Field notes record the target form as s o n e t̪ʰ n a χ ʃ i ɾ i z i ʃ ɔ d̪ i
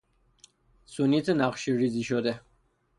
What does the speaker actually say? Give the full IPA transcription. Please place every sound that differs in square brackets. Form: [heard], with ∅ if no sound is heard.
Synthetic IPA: s [u] n [i] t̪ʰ n a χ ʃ i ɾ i z i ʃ ɔ d̪ [ɛ]